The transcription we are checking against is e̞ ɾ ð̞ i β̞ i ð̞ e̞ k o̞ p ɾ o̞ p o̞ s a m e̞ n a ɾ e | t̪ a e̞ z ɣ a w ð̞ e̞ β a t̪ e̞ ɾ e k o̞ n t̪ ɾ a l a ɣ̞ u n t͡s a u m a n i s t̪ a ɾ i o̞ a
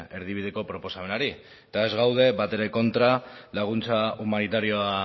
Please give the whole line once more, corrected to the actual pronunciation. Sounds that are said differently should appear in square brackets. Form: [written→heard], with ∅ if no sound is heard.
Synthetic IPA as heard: e̞ ɾ ð̞ i β̞ i ð̞ e̞ k o̞ p ɾ o̞ p o̞ s a m e̞ n a ɾ [e→i] | t̪ a e̞ z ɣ a w ð̞ e̞ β a t̪ e̞ ɾ e k o̞ n t̪ ɾ a l a ɣ̞ u n t͡s a u m a n i [s→∅] t̪ a ɾ i o̞ a